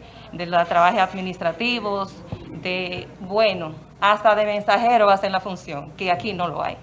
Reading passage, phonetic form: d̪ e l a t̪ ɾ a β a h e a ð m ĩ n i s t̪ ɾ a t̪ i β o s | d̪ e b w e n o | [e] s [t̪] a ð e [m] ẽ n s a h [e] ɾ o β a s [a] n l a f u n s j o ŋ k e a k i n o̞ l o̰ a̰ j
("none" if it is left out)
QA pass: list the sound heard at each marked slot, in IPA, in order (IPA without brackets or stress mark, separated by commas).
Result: a, t̪, m, e, e